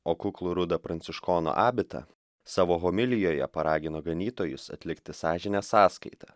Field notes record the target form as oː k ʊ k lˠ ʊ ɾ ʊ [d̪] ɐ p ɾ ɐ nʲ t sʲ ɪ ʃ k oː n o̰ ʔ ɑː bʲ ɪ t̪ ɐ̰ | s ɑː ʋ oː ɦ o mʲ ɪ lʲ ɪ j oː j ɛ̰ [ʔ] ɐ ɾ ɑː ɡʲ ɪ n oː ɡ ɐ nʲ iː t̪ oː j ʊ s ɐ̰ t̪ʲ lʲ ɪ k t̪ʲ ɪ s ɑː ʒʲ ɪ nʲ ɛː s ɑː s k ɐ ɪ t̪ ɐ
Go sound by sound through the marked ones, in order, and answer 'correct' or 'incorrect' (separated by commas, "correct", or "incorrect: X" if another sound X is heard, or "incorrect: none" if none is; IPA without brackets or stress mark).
correct, incorrect: p